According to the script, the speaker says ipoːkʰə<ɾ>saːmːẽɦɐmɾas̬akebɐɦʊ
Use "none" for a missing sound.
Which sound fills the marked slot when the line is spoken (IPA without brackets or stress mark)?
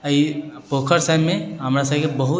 ɾ